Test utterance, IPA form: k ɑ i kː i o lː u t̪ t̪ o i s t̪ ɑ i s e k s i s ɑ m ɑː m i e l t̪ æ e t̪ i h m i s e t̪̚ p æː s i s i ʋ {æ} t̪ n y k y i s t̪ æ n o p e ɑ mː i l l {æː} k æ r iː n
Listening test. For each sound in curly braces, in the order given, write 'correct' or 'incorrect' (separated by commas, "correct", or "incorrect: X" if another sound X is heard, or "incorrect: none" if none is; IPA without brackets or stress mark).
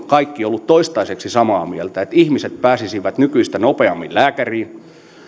correct, correct